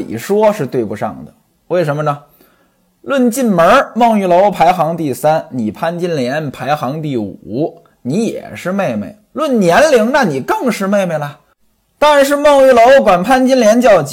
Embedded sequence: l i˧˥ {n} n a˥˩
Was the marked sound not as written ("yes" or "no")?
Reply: yes